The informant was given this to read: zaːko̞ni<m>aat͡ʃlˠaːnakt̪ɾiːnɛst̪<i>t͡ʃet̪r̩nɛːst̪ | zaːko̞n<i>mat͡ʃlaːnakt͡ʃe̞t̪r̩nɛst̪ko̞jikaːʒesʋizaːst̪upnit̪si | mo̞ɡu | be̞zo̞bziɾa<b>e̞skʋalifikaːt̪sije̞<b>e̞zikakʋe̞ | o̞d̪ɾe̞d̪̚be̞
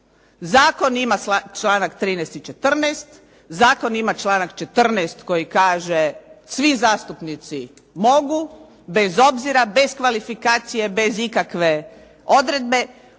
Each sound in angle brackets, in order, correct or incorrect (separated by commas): correct, correct, correct, correct, correct